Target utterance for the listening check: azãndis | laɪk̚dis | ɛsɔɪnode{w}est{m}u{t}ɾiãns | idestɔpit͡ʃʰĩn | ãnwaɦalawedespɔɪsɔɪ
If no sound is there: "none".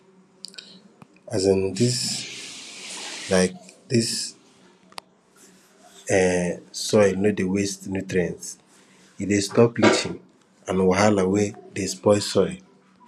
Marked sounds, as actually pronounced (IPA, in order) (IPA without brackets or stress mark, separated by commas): w, n, t